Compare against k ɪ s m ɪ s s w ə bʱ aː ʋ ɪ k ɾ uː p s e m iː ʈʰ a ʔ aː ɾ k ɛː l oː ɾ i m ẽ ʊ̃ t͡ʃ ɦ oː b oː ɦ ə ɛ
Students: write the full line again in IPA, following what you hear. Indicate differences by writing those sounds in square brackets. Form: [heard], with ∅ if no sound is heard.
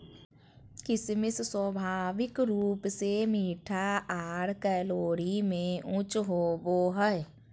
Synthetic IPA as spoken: k ɪ s m ɪ s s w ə bʱ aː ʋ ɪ k ɾ uː p s e m iː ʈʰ a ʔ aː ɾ k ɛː l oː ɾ i m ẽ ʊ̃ t͡ʃ ɦ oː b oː ɦ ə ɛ

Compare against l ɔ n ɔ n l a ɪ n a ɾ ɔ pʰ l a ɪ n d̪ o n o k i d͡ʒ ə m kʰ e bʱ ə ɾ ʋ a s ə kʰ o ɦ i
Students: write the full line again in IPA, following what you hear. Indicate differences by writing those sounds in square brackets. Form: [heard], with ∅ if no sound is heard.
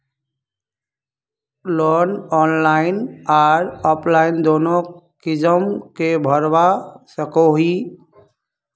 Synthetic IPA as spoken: l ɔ n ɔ n l a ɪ n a ɾ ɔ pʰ l a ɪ n d̪ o n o k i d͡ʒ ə m [k] e bʱ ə ɾ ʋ a s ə [k] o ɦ i

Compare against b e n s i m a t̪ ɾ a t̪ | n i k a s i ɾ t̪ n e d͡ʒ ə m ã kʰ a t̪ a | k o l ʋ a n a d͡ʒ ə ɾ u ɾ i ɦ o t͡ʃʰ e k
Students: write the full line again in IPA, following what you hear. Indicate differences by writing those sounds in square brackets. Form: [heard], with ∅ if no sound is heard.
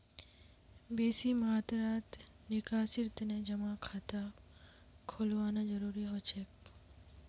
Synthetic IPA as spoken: b e [∅] s i m a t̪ ɾ a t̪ | n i k a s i ɾ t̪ n e d͡ʒ ə m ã kʰ a t̪ a | [kʰ] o l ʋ a n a d͡ʒ ə ɾ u ɾ i ɦ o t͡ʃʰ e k

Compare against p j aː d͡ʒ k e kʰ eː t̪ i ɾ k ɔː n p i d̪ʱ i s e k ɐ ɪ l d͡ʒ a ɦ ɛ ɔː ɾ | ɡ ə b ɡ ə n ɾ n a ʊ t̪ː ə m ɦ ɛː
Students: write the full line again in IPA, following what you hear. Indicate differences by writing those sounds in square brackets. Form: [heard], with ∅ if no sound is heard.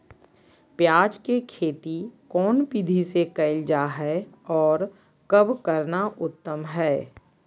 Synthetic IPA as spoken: p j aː d͡ʒ k e kʰ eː t̪ i [∅] k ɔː n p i d̪ʱ i s e k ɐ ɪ l d͡ʒ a ɦ ɛ ɔː ɾ | [k] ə b [k] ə [∅] ɾ n a ʊ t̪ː ə m ɦ ɛː

